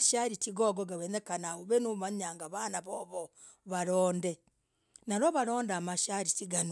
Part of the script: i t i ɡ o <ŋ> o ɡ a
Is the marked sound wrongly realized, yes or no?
yes